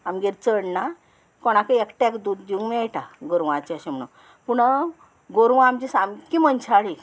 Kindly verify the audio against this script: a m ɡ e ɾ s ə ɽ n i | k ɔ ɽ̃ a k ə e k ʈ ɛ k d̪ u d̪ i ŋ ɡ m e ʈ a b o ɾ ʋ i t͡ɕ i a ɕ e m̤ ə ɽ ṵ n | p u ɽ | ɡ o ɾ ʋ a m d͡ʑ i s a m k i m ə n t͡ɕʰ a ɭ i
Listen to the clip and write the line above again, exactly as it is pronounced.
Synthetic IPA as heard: a m ɡ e ɾ t͡s ə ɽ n a | k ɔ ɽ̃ a k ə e k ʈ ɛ k d̪ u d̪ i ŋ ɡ m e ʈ a ɡ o ɾ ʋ a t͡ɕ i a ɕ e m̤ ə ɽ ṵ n | p u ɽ | ɡ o ɾ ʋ a m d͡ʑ i s a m k i m ə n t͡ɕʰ a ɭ i